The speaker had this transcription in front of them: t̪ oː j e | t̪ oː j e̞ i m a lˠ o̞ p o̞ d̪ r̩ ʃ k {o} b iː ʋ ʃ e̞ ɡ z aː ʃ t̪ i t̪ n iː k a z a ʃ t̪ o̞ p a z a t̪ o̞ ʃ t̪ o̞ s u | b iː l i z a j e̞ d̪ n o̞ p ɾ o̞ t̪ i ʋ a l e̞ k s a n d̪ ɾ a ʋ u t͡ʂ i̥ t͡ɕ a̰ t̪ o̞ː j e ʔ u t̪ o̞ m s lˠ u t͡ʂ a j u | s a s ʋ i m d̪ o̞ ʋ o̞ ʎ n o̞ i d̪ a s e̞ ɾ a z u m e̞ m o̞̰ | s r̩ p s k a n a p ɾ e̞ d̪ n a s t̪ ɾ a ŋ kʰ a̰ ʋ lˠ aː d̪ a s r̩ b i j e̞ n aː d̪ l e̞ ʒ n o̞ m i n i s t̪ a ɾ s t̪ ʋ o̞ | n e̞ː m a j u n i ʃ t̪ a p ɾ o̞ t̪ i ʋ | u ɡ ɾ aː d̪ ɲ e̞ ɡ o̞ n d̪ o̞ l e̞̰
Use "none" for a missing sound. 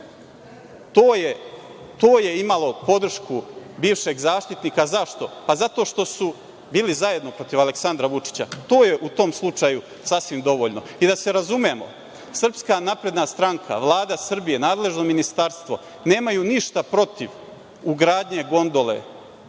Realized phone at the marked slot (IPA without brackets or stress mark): u